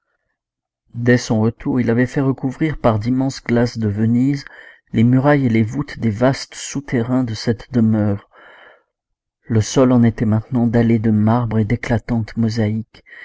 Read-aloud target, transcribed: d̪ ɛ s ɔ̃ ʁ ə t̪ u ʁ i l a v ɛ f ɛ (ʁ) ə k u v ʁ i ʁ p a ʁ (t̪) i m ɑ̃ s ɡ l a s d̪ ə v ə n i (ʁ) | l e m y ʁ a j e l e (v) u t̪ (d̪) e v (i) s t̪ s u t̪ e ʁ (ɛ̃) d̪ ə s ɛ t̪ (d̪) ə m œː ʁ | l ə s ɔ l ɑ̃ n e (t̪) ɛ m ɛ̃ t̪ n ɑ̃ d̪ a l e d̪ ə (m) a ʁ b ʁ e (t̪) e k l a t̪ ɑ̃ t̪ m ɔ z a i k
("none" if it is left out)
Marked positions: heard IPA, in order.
ʁ, d̪, z, v, d̪, a, ɛ̃, d̪, t̪, m, d̪

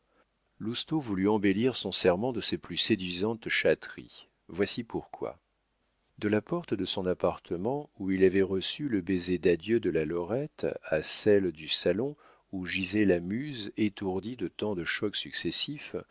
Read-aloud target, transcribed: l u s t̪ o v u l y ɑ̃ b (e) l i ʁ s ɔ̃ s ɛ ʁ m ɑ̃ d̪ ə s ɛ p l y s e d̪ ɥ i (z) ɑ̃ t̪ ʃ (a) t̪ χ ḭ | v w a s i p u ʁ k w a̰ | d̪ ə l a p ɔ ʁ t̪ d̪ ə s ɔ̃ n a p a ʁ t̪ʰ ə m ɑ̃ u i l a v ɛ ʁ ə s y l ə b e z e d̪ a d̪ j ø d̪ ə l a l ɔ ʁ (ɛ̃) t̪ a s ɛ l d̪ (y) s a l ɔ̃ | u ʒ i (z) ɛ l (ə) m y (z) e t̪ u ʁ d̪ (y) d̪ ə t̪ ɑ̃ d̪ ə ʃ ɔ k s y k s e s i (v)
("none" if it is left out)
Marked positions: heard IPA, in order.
e, z, a, ɛ, y, z, a, z, i, f

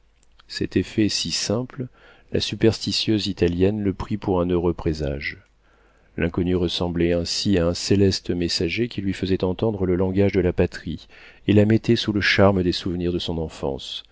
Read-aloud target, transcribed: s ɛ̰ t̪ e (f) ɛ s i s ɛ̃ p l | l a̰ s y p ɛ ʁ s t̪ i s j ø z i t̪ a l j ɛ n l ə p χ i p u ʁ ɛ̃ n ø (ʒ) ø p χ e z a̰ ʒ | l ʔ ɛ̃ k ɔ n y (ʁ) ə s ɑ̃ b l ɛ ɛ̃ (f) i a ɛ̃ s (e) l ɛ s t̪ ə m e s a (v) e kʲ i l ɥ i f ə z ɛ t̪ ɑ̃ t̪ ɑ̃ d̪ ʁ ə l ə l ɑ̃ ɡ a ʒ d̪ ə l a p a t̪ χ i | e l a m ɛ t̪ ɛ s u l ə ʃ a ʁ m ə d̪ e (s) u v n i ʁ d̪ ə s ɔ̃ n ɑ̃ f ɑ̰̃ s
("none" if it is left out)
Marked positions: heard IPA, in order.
f, ʁ, ʁ, s, e, ʒ, s

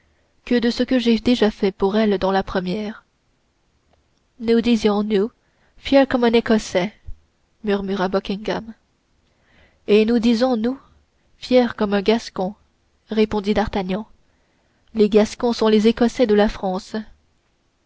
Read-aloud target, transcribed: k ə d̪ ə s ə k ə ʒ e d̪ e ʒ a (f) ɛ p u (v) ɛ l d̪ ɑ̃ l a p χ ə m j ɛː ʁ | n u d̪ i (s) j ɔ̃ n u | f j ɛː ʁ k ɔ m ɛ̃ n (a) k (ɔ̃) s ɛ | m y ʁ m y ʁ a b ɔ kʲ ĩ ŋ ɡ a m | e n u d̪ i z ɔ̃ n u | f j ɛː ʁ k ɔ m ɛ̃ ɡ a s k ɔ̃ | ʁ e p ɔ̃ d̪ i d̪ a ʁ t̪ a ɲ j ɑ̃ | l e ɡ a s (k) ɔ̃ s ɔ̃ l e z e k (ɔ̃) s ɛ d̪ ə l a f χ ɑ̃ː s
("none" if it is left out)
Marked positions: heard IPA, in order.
f, ʁ, z, e, ɔ, k, ɔ

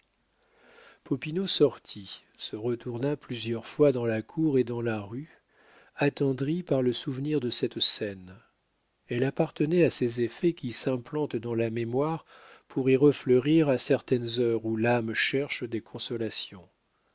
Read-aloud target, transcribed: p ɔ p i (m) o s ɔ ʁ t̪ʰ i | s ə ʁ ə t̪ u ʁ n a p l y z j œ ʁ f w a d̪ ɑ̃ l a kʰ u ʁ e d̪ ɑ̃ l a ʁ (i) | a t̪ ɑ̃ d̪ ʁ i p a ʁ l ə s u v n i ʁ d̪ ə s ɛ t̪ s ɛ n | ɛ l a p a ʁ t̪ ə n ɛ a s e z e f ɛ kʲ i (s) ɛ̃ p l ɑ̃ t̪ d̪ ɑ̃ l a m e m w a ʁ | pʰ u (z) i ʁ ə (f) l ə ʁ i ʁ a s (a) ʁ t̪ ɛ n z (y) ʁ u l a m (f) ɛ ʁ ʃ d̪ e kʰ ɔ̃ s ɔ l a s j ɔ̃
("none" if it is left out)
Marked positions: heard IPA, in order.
n, y, s, ʁ, f, ɛ, œ, ʃ

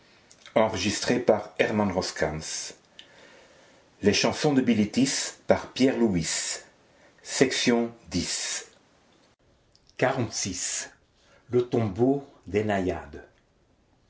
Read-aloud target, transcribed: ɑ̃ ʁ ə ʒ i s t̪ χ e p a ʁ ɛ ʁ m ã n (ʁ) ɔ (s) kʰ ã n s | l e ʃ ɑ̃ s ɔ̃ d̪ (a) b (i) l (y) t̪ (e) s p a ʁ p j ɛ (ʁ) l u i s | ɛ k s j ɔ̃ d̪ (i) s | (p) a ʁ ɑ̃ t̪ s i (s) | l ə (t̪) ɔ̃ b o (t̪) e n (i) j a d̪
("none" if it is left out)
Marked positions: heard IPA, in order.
ʁ, s, ə, i, i, i, ʁ, i, k, s, t̪, d̪, a

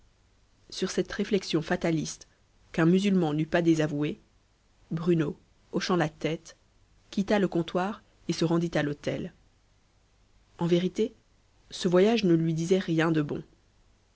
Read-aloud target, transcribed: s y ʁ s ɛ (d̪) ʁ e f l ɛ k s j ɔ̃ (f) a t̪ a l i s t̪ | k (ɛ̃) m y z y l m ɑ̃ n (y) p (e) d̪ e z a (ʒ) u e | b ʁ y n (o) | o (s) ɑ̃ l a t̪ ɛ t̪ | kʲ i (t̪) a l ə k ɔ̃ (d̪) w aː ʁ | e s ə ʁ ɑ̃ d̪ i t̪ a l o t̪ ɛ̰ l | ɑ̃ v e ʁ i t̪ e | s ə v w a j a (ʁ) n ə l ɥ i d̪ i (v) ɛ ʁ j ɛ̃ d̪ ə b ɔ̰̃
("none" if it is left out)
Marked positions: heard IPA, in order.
t̪, f, ɛ̃, y, a, v, o, ʃ, t̪, t̪, ʒ, z

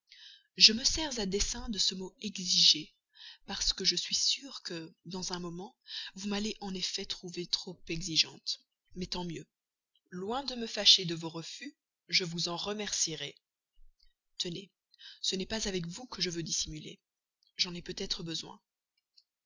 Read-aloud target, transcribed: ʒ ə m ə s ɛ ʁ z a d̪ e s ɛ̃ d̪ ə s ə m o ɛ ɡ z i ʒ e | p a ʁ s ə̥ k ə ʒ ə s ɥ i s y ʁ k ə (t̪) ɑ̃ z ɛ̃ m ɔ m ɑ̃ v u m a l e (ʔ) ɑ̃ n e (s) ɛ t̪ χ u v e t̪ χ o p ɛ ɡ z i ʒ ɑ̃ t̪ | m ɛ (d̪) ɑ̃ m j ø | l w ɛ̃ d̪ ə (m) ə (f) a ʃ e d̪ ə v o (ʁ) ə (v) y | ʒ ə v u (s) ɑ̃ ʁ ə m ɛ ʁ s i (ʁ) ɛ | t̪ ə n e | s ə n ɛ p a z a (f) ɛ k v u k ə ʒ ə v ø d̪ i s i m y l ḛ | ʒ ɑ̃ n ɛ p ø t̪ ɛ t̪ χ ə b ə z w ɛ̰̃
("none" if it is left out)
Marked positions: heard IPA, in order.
d̪, ʔ, f, t̪, m, f, ʁ, f, z, ʁ, v

